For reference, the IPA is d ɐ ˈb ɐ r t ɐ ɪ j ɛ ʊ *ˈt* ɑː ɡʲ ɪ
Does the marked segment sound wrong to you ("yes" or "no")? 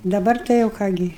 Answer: yes